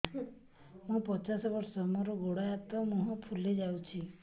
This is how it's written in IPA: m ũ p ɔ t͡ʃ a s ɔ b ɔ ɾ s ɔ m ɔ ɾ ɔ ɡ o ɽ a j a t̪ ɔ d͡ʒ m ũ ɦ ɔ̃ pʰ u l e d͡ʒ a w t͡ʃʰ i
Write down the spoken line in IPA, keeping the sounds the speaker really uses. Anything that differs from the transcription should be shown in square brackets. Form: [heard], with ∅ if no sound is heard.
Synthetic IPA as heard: m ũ p ɔ t͡ʃ a s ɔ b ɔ ɾ s ɔ m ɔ ɾ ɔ ɡ o ɽ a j a t̪ ɔ [∅] m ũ ɦ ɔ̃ pʰ u l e d͡ʒ a w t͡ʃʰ i